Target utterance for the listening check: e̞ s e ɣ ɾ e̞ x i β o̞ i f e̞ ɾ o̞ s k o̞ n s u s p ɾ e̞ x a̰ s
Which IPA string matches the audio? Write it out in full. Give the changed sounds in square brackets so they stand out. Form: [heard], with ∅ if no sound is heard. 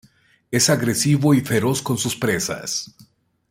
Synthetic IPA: e̞ s [a] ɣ ɾ e̞ [s] i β o̞ i f e̞ ɾ o̞ s k o̞ n s u s p ɾ e̞ [s] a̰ s